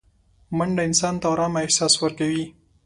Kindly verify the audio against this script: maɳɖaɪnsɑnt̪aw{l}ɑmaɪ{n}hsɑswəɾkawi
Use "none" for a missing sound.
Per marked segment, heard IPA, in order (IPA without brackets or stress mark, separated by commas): ɾ, none